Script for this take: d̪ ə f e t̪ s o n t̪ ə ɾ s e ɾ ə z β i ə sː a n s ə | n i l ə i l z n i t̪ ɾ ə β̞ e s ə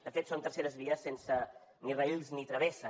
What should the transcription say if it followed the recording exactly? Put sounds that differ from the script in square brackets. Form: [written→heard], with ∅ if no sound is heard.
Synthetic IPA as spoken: d̪ ə f e t̪ s o n t̪ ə ɾ s e ɾ ə z β i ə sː [a→e] n s ə | n i [l→r] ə i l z n i t̪ ɾ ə β̞ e s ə